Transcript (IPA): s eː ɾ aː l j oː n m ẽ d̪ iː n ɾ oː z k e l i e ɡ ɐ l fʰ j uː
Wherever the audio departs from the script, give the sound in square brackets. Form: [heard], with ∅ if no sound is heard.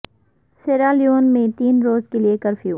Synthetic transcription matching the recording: s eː ɾ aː l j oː n m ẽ [t̪] iː n ɾ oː z k e l i e [k] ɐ [ɾ] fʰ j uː